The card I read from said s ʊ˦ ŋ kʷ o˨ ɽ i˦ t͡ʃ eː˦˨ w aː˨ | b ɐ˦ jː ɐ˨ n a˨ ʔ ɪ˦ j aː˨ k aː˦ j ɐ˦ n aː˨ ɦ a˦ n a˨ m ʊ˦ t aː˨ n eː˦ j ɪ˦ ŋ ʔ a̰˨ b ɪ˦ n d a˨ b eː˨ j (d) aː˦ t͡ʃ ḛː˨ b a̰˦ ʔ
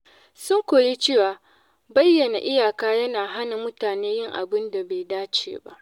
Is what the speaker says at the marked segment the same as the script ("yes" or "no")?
yes